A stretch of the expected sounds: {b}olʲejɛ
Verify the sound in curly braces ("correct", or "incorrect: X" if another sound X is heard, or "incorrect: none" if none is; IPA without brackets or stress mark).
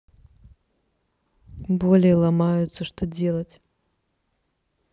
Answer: correct